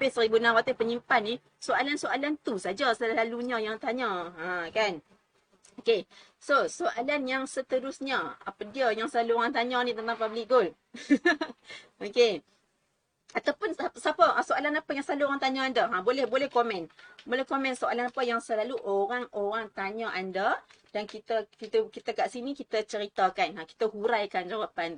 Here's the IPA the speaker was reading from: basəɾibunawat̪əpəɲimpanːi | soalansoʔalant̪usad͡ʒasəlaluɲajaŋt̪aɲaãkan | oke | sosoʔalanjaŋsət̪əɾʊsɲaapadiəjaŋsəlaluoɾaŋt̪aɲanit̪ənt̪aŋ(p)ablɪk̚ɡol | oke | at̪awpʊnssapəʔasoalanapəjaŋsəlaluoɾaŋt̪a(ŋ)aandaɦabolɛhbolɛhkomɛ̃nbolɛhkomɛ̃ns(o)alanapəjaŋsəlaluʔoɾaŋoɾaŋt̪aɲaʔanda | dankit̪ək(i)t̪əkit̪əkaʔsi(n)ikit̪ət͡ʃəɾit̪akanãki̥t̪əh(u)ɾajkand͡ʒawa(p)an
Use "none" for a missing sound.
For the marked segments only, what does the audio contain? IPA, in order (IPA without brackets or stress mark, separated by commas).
p, ɲ, o, i, n, u, p